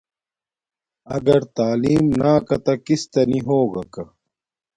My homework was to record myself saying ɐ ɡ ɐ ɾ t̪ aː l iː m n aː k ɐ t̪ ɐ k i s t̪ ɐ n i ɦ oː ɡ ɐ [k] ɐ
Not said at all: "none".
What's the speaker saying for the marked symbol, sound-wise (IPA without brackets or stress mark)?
k